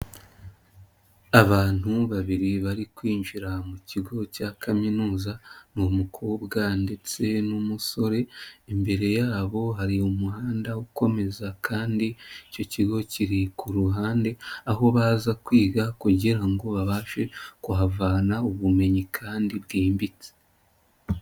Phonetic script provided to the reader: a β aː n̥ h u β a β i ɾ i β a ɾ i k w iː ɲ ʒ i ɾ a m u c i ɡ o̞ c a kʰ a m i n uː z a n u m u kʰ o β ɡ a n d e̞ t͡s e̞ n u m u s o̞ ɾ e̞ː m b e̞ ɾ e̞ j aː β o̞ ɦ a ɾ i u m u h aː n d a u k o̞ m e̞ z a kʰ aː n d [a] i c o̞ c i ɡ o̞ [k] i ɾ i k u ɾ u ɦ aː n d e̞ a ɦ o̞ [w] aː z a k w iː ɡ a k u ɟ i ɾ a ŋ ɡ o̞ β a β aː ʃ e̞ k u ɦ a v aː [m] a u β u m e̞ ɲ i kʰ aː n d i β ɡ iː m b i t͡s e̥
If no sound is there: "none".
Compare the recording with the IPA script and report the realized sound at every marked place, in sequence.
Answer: i, c, β, n

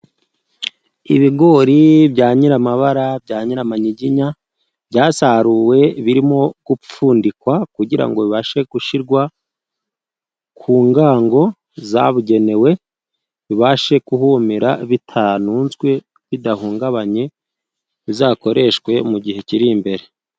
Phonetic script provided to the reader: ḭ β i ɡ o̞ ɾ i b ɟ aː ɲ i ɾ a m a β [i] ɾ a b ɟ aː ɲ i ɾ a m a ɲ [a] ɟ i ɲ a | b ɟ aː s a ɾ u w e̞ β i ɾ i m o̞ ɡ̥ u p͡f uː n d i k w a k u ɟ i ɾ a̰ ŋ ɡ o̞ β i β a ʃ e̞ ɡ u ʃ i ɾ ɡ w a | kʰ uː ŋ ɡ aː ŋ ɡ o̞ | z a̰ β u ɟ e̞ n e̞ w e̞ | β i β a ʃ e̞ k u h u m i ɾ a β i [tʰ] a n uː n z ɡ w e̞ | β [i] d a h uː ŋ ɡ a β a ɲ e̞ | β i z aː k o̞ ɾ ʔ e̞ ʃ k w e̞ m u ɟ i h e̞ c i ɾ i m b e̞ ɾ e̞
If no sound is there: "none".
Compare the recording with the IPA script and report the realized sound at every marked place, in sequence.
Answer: a, i, tʰ, i

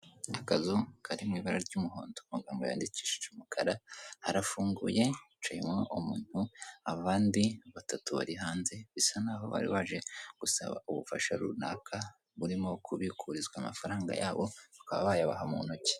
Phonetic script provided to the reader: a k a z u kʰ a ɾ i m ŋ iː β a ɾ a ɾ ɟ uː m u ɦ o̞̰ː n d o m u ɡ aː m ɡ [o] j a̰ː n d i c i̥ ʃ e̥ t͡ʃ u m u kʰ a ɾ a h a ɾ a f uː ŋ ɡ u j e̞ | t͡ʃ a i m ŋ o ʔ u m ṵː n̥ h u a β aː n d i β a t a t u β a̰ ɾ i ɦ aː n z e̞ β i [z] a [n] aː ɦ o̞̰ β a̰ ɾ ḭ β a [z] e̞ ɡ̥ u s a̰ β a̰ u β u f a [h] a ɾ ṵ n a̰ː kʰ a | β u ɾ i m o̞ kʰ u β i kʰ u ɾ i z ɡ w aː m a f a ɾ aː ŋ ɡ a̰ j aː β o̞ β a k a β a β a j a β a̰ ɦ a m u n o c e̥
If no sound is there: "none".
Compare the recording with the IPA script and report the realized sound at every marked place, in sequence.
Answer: o, s, n, ʒ, ʃ

